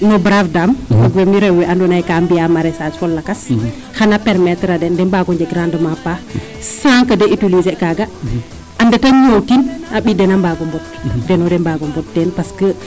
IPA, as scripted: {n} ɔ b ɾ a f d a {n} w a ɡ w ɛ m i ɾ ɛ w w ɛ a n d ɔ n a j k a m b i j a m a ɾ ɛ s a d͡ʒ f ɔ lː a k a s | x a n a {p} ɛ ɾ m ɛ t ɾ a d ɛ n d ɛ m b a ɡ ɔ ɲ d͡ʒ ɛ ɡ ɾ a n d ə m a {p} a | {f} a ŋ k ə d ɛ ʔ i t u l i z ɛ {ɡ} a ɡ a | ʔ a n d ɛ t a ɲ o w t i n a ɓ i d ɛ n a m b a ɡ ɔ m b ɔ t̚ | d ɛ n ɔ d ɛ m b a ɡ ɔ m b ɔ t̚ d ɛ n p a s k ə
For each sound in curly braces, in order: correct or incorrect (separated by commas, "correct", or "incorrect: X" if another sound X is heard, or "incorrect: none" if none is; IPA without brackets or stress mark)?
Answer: correct, incorrect: m, correct, correct, incorrect: s, incorrect: k